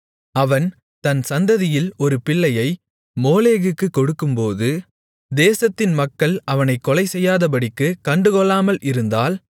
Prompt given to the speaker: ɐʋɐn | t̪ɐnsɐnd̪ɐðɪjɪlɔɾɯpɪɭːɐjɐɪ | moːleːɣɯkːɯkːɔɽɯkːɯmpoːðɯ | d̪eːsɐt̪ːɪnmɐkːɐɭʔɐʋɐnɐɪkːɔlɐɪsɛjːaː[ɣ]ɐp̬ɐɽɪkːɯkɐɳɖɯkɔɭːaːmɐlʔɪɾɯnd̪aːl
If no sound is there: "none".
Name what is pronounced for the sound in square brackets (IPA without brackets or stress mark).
ð